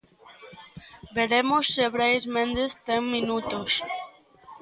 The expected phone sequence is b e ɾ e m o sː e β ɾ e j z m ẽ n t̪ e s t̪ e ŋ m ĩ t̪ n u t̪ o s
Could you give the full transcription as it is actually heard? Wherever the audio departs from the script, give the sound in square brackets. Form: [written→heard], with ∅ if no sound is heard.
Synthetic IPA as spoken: b e ɾ e m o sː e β ɾ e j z m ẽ n [t̪→d̪] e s t̪ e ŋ m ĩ [t̪→∅] n u t̪ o s